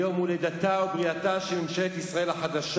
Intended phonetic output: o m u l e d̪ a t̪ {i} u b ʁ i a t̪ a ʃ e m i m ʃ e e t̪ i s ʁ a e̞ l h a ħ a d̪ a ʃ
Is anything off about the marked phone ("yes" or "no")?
yes